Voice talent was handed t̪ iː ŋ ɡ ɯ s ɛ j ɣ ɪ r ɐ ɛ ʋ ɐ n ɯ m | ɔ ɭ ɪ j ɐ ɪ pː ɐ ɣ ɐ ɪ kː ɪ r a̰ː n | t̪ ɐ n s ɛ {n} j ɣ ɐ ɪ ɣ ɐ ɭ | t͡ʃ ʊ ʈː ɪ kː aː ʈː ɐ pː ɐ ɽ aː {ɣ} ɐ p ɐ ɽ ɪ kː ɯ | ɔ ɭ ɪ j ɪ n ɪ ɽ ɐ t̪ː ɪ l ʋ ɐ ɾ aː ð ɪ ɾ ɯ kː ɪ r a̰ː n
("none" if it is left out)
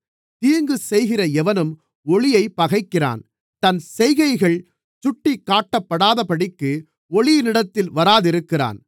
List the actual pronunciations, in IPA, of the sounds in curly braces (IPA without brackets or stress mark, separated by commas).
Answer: none, ð